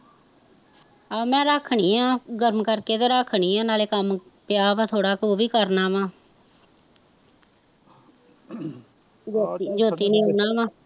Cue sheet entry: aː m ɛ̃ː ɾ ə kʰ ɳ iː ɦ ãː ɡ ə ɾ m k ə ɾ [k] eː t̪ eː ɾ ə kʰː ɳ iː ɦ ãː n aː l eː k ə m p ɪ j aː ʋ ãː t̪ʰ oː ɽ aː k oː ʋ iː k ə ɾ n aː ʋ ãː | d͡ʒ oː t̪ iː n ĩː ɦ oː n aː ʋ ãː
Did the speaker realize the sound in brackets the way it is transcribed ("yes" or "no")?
yes